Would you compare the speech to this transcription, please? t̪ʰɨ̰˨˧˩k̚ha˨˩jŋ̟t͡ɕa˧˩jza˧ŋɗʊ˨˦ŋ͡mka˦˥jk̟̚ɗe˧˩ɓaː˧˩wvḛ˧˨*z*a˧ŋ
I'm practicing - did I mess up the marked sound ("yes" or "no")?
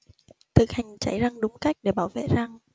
no